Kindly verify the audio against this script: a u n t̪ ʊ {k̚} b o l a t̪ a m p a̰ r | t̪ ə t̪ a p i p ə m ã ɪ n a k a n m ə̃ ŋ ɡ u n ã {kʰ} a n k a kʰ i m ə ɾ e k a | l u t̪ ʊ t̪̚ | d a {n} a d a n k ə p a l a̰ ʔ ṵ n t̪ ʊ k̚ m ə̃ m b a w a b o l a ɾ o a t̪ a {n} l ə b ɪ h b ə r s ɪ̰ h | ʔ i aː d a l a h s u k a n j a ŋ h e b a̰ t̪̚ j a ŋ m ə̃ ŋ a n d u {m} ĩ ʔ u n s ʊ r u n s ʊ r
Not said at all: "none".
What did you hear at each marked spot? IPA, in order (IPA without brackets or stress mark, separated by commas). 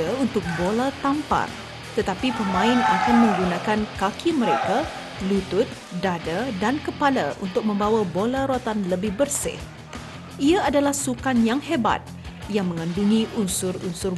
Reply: k̚, k, d, n, ŋ